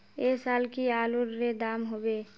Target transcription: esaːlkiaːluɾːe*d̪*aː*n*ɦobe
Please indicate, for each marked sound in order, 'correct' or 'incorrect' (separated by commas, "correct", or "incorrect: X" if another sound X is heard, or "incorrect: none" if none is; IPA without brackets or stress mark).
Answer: correct, incorrect: m